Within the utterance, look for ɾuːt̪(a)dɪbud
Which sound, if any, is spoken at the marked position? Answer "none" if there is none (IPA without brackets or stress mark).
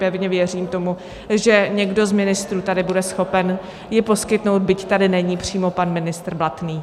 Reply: a